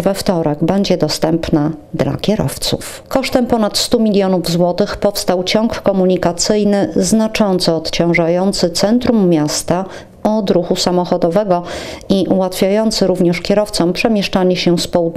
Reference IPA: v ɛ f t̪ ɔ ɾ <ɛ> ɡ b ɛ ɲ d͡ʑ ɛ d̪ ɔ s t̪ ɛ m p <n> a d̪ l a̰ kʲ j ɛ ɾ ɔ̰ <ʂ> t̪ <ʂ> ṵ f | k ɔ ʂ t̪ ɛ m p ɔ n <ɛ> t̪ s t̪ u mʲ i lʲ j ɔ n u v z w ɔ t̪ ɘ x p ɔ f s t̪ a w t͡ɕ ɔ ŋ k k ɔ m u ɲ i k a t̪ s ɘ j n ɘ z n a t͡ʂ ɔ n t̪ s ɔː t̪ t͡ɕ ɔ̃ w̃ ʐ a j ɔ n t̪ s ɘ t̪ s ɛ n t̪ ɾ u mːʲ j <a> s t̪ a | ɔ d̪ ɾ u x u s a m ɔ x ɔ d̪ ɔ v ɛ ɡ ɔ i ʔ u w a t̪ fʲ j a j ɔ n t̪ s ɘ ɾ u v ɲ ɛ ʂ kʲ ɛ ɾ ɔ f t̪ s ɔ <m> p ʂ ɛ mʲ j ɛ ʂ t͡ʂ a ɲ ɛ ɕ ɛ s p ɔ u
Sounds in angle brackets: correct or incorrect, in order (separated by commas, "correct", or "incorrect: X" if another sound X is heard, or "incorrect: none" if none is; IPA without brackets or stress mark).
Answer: correct, correct, incorrect: f, incorrect: s, incorrect: a, correct, correct